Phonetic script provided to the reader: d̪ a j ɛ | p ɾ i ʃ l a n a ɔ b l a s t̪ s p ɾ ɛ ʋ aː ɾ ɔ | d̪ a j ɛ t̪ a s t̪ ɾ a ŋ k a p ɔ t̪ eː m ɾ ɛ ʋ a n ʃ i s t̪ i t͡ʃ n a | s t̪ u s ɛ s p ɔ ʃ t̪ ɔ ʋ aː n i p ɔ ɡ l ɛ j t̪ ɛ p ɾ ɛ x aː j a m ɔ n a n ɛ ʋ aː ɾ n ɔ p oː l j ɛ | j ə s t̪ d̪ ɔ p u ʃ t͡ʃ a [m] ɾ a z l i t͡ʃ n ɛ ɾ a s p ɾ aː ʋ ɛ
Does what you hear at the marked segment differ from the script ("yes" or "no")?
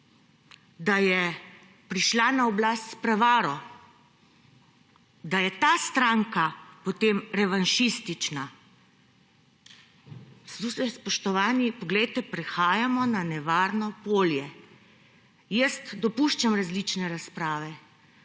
no